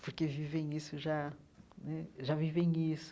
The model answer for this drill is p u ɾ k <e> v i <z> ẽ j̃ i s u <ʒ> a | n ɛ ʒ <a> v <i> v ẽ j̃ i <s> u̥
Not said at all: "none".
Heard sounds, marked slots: e, v, ʒ, a, i, s

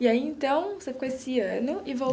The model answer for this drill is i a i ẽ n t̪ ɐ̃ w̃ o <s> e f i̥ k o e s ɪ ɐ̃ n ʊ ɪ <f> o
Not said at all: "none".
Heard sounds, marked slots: s, v

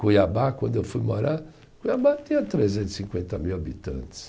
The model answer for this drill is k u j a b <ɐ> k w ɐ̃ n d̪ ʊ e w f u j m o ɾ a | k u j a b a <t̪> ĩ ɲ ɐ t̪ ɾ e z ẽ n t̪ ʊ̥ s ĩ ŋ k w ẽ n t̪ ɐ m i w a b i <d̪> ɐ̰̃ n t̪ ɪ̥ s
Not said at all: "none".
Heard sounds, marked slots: a, t̪, t̪

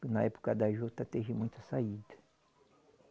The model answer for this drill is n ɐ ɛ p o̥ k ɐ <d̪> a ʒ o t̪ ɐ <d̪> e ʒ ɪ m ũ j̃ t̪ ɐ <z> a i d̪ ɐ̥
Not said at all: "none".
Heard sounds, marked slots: d̪, t̪, s

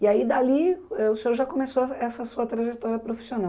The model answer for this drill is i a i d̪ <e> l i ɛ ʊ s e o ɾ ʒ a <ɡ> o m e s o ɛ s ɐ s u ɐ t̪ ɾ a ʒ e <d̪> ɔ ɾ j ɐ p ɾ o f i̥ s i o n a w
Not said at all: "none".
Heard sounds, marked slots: a, k, t̪

